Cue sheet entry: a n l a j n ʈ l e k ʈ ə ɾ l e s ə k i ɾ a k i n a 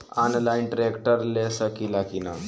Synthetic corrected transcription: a n l a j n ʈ ɾ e k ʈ ə ɾ l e s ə k i l a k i n a